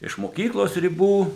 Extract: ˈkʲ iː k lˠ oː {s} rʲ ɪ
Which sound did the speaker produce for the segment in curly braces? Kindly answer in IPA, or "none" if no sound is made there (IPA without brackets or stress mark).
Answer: s